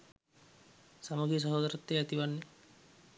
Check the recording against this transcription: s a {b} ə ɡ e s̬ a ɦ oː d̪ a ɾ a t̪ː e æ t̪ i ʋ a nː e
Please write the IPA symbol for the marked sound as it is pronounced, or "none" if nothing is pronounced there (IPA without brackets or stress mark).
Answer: m